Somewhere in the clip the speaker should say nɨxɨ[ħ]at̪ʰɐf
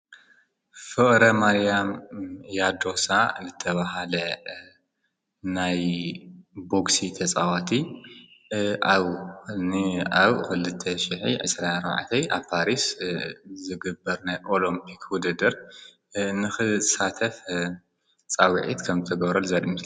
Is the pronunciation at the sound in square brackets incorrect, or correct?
incorrect